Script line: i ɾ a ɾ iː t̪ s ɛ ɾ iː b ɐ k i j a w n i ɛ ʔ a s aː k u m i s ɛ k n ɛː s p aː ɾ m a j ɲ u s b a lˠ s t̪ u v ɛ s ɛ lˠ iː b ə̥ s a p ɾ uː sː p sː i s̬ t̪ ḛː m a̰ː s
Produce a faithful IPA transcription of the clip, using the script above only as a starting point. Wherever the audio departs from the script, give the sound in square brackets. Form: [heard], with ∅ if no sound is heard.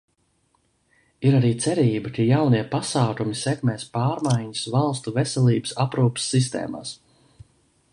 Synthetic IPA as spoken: i ɾ a ɾ iː t̪ s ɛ ɾ iː b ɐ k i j a w n i ɛ [p] a s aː k u m i s ɛ k [m] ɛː s p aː ɾ m a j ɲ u s [v] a lˠ s t̪ u v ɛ s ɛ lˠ iː b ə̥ s a p ɾ uː [∅] p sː i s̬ t̪ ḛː m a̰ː s